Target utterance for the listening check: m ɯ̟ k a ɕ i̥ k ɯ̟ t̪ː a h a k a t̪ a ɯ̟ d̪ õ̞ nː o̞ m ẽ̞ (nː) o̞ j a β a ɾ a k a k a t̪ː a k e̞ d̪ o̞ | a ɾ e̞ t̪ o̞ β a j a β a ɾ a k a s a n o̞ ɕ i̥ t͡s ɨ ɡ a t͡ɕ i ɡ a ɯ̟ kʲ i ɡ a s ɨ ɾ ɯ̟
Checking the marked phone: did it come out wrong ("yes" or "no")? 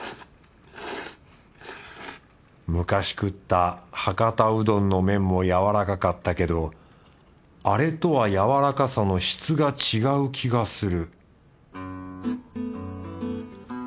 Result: yes